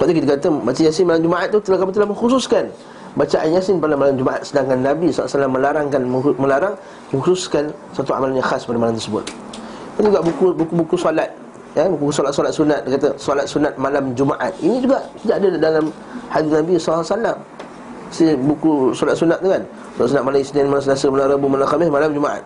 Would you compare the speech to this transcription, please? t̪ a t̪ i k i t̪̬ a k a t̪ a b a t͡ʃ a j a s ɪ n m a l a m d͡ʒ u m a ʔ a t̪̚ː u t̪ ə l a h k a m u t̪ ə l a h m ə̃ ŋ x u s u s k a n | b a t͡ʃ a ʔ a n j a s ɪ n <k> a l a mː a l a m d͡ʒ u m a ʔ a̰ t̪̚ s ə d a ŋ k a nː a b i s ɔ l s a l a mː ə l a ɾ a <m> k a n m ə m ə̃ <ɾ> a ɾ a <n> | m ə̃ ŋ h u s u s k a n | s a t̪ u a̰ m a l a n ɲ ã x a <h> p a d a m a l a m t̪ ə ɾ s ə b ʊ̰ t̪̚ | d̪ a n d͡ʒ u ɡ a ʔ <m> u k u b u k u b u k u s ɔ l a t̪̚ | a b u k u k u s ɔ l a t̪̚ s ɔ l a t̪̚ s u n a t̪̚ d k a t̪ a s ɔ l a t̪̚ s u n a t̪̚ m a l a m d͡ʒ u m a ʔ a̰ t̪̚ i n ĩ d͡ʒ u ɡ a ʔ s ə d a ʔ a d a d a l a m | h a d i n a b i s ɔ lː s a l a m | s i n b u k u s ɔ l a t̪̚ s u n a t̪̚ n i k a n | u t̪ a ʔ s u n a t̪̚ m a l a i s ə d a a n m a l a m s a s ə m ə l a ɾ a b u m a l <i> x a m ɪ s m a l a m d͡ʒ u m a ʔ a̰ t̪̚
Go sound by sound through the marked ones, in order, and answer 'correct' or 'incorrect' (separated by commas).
incorrect, incorrect, incorrect, incorrect, incorrect, incorrect, incorrect